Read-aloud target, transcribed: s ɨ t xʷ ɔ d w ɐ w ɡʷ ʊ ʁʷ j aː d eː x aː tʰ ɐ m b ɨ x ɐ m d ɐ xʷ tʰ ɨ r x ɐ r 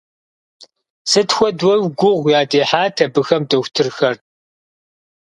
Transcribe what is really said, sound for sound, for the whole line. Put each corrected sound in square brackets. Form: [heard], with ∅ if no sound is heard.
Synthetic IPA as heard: s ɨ t xʷ ɔ d w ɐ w ɡʷ ʊ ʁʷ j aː d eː [ħ] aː tʰ ɐ [∅] b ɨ x ɐ m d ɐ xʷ tʰ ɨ r x ɐ r